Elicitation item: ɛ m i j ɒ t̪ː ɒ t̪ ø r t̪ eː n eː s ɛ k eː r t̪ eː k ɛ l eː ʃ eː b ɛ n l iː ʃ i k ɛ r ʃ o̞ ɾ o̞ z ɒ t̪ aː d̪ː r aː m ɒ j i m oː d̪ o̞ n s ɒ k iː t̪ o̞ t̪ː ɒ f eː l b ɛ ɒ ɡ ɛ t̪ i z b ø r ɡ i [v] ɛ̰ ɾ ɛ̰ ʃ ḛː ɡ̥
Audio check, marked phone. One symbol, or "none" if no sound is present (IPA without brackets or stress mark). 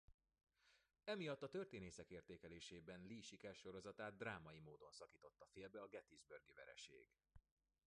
v